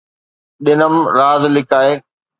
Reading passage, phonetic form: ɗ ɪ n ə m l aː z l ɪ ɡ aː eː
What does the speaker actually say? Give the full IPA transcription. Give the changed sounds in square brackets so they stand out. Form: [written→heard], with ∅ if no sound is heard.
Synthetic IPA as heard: ɗ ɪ n ə m [l→ɾ] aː z l ɪ [ɡ→k] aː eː